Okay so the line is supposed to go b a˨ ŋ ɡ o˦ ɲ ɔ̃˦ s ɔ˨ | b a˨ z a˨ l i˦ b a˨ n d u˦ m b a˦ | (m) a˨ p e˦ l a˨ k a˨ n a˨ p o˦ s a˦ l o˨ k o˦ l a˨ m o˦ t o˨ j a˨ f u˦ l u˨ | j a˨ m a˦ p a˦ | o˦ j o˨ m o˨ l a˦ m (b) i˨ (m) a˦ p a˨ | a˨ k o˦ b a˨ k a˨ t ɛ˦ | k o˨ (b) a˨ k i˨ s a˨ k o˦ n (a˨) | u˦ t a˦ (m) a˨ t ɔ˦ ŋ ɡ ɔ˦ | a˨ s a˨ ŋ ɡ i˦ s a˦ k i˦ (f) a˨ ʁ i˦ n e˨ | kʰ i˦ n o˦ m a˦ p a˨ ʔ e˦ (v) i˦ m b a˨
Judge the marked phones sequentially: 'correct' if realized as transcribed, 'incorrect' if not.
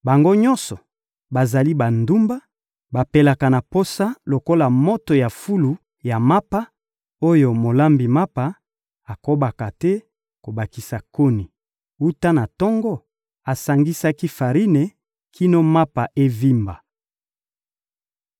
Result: incorrect: b, correct, correct, correct, incorrect: i˨, incorrect: n, correct, correct

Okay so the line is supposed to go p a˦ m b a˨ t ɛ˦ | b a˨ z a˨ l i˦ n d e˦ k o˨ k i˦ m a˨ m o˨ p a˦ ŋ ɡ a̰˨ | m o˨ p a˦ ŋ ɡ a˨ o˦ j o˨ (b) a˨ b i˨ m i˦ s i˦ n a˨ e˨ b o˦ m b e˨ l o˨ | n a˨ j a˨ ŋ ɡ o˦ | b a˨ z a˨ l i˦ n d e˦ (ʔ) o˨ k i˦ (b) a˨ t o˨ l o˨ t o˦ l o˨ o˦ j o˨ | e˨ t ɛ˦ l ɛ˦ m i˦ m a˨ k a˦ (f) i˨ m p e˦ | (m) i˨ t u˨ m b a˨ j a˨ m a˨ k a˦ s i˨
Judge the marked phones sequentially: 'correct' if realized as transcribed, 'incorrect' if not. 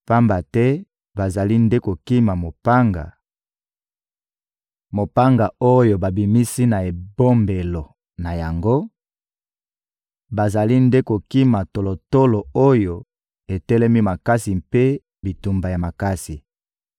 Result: correct, incorrect: k, incorrect: m, incorrect: s, incorrect: b

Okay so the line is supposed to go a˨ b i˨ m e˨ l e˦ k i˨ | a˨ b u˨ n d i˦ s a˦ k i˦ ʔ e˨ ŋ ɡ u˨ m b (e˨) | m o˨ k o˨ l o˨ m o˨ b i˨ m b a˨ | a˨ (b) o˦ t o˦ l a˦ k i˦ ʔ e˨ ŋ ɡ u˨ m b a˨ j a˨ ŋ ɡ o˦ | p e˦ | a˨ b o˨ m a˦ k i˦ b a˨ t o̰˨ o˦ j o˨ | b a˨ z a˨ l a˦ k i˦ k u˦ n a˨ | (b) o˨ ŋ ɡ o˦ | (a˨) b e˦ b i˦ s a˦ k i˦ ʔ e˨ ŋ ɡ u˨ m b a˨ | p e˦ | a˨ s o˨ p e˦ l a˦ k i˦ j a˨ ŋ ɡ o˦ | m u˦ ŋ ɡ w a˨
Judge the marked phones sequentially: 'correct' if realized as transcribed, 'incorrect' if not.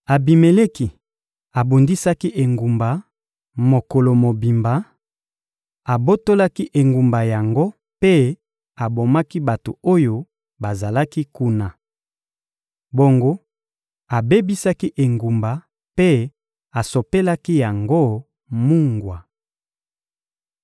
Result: incorrect: a˨, correct, correct, correct

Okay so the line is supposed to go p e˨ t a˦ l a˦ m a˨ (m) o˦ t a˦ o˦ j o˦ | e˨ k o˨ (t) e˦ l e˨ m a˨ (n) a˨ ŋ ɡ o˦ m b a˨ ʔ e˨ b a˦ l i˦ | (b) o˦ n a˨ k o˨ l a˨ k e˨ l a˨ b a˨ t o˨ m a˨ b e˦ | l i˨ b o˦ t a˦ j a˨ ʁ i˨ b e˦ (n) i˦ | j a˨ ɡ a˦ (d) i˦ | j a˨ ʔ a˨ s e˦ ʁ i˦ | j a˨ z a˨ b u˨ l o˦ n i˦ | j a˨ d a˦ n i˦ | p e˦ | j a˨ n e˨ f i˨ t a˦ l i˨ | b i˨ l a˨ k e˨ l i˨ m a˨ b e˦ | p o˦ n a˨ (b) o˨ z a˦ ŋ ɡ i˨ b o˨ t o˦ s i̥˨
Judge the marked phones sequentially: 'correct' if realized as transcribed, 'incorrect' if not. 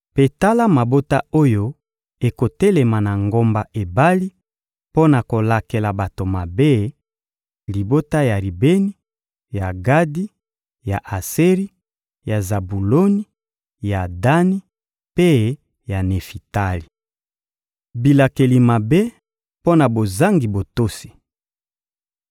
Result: incorrect: b, correct, correct, incorrect: p, correct, correct, correct

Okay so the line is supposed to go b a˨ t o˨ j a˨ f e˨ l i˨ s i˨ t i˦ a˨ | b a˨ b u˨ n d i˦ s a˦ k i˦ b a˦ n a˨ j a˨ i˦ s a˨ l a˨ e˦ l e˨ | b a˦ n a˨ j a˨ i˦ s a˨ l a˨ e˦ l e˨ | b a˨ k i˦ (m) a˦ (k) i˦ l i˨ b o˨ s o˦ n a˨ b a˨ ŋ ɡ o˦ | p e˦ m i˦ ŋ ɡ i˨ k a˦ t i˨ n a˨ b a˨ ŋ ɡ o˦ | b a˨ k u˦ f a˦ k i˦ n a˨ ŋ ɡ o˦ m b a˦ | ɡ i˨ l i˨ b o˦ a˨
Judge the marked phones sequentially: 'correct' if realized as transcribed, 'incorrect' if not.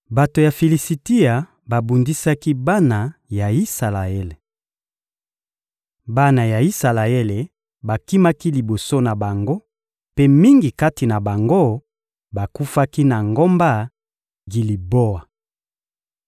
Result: correct, correct

